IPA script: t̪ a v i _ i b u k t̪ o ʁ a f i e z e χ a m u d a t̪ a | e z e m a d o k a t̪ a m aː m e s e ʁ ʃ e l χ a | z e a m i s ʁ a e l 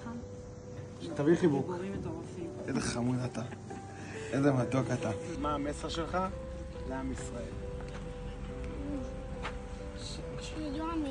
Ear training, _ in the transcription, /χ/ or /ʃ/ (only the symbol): χ